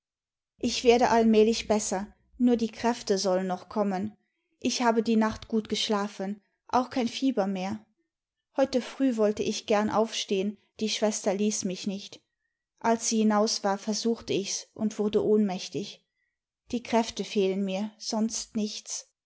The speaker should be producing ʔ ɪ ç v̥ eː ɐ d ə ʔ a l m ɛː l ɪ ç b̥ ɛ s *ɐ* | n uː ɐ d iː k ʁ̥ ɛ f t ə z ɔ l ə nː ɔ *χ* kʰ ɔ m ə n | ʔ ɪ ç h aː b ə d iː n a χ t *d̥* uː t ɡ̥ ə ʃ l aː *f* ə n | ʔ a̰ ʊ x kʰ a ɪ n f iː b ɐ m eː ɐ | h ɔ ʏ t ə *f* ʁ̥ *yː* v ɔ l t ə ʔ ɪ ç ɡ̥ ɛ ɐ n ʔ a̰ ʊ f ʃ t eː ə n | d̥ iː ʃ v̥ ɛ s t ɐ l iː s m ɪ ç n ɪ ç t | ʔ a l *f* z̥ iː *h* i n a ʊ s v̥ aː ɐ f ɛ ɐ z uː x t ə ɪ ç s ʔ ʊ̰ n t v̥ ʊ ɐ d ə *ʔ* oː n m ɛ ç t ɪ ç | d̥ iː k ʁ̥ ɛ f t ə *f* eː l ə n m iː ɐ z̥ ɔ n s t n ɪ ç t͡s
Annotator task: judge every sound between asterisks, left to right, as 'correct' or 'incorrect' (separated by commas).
correct, correct, incorrect, correct, correct, correct, incorrect, correct, correct, correct